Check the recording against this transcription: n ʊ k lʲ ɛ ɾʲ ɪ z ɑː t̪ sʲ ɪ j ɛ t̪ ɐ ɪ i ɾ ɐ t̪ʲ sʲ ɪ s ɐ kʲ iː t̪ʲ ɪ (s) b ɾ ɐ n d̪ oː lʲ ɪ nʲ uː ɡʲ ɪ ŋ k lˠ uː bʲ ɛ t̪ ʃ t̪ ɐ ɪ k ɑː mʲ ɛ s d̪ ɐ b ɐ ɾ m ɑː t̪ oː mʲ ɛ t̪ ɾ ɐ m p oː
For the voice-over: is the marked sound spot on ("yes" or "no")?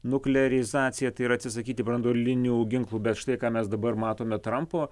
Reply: no